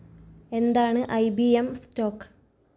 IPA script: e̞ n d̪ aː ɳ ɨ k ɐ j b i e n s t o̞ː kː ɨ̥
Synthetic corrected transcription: e̞ n d̪ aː ɳ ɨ ʔ ɐ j b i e m s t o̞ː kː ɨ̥

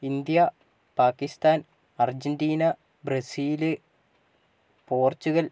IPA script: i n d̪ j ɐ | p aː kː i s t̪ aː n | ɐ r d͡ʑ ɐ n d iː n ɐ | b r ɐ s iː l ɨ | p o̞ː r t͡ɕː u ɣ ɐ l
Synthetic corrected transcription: i n d̪ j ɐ | p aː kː i s t̪ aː n | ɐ r d͡ʑ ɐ n d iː n ɐ | b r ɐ s iː l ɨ | p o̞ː r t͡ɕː u ɣ ɐ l

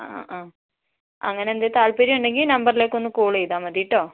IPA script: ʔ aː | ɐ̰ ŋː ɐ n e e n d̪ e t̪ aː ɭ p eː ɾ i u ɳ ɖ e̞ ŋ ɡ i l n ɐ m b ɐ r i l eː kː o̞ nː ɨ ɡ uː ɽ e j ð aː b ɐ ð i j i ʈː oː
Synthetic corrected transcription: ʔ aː | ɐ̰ ŋː ɐ n e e n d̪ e t̪ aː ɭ p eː ɾ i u ɳ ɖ e̞ ŋ ɡ i l n ɐ m b ɐ r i l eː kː o̞ nː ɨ k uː ɭ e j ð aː m ɐ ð i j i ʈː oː

